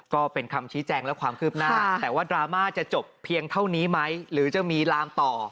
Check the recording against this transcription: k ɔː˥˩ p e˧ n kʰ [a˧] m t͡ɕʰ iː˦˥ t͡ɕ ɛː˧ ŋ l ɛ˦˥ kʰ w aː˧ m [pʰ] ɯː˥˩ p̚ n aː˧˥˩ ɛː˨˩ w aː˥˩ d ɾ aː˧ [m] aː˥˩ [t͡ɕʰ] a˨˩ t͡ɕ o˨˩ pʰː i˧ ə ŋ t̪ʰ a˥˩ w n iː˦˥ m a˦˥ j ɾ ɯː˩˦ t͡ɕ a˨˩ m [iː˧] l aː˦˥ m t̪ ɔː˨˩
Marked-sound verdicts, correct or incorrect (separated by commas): correct, incorrect, correct, incorrect, correct